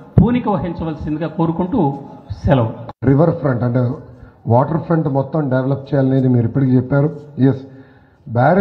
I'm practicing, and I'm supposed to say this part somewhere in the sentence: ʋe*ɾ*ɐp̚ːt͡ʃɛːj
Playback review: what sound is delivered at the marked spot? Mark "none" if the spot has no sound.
l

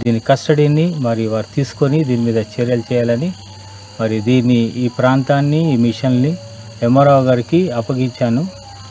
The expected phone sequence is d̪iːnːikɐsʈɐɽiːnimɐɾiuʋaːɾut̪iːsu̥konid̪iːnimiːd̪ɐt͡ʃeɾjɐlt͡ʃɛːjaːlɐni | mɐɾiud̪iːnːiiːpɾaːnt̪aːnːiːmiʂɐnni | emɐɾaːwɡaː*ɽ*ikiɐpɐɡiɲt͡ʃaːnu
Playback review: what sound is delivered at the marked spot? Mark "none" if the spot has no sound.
ɾ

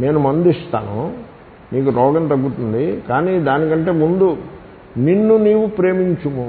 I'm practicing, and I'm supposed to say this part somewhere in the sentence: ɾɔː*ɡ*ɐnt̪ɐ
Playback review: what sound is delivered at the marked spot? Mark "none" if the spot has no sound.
ɡ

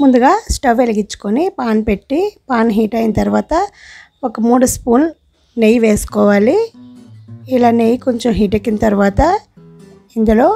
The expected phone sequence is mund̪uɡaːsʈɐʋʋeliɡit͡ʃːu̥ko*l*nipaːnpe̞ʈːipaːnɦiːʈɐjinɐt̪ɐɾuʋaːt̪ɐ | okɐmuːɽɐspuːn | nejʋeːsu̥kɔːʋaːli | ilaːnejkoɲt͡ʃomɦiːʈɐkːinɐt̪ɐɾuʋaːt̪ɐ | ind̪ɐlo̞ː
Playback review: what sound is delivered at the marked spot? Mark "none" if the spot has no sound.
none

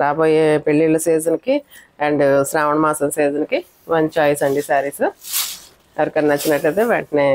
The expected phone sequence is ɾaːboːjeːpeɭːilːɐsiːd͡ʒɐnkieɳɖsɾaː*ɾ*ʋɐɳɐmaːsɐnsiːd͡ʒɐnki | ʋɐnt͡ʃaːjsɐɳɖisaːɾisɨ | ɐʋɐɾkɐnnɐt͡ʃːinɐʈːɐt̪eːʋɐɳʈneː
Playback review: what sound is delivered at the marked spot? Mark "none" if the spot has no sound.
none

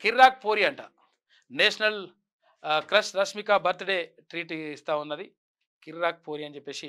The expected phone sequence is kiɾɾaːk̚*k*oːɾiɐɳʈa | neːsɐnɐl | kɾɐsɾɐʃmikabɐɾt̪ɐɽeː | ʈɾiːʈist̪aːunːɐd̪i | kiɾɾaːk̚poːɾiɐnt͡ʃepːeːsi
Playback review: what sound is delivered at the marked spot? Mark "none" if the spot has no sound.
p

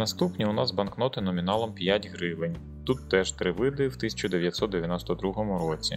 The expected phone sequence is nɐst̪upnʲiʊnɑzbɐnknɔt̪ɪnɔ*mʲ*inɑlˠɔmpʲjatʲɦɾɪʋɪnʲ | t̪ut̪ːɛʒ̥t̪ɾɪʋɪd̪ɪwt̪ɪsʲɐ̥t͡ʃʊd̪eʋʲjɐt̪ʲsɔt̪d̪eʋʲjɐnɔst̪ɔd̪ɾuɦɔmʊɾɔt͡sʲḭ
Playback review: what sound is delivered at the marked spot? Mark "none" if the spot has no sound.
mʲ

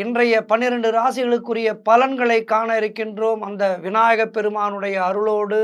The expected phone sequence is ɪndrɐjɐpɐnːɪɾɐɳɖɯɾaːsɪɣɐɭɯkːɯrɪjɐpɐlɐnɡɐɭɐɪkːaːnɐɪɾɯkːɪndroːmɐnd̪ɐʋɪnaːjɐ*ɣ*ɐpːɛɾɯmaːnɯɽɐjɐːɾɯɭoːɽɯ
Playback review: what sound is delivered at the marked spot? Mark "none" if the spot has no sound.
ɣ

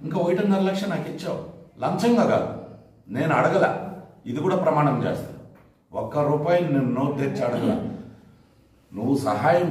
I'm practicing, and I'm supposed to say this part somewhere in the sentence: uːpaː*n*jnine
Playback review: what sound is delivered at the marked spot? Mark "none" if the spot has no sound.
none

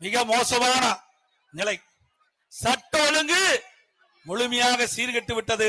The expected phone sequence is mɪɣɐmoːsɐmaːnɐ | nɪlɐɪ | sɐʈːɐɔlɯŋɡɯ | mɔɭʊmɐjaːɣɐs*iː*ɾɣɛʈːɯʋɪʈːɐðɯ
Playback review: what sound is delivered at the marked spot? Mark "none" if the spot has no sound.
iː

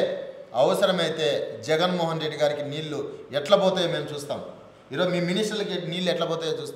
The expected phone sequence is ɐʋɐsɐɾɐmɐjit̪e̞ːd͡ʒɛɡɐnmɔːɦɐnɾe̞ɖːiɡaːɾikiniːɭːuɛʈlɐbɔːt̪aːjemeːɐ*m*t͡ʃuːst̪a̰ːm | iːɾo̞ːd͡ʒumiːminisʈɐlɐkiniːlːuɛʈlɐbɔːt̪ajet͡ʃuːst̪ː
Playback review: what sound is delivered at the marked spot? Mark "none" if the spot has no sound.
m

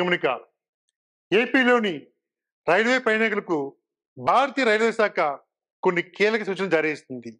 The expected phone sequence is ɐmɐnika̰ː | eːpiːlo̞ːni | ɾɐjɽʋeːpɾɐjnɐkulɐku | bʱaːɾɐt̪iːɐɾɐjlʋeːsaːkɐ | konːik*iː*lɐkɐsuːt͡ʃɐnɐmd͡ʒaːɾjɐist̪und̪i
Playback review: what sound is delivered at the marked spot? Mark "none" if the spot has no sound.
iː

